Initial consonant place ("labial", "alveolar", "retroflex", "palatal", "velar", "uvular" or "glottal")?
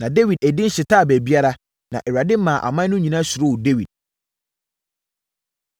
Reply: alveolar